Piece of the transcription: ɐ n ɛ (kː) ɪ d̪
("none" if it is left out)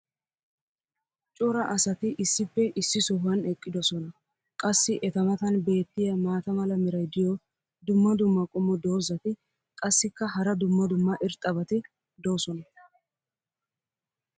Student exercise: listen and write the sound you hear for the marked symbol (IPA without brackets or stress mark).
kʼː